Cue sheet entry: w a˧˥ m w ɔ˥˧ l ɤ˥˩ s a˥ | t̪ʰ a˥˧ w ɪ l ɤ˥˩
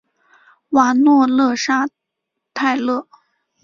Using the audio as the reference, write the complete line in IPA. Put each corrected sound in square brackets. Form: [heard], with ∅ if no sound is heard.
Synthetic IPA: w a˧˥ [n] w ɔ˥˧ l ɤ˥˩ [ʂ] a˥ | t̪ʰ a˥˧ [∅] ɪ l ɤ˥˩